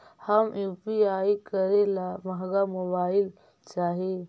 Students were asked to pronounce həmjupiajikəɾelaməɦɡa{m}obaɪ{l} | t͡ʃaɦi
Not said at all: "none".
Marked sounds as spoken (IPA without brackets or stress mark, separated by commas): m, l